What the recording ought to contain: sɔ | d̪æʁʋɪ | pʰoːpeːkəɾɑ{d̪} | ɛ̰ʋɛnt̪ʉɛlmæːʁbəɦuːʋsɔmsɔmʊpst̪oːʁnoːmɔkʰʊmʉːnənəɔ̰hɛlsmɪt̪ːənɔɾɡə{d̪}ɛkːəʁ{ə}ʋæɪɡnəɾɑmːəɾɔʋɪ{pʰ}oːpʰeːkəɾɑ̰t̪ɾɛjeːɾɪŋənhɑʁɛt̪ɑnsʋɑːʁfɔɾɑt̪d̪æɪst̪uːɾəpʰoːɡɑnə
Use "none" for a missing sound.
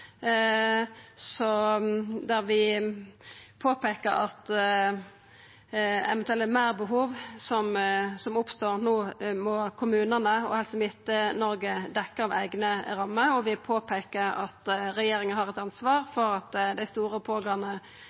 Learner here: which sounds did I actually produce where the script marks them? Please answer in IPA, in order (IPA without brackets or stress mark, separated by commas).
t̪, d̪, ɑ, pʰ